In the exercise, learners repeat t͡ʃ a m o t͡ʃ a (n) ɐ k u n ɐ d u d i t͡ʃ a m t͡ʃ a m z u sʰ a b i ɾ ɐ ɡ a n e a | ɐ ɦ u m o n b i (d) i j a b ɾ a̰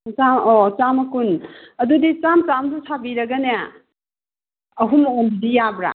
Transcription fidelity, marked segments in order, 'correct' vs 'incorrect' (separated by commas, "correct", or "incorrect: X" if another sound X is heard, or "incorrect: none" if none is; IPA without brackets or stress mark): incorrect: m, correct